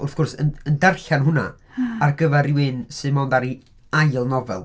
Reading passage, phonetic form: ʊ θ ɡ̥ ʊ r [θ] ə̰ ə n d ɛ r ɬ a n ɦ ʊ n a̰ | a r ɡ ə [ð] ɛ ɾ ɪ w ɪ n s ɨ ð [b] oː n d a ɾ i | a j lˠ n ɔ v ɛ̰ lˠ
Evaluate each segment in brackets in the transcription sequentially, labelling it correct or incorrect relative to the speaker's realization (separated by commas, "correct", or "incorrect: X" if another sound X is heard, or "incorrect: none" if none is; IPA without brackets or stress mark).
incorrect: s, incorrect: v, incorrect: m